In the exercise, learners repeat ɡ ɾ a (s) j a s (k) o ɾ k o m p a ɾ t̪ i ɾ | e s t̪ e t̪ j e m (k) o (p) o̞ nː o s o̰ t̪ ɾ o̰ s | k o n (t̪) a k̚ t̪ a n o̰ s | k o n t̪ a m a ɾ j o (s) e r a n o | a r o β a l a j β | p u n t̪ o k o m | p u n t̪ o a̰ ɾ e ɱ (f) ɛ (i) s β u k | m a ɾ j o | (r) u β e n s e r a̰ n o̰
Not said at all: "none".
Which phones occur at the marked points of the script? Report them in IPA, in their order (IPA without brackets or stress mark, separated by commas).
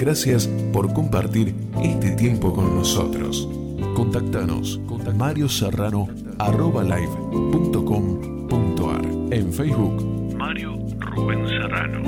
s, p, p, k, t̪, s, f, j, r